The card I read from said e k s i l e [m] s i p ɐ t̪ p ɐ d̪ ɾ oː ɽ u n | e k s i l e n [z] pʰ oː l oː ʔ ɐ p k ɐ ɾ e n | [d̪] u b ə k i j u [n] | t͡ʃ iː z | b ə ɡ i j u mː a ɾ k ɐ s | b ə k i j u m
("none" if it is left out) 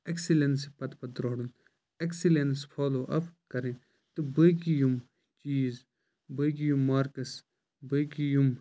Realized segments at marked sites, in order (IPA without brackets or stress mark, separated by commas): n, s, t̪, m